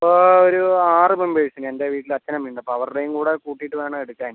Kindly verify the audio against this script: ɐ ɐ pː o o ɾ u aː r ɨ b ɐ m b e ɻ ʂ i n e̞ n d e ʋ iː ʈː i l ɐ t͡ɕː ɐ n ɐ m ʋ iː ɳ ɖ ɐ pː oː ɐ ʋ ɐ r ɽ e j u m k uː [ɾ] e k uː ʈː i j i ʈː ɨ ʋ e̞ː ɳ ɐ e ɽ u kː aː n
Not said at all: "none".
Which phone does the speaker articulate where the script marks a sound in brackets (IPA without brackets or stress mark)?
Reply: ɽ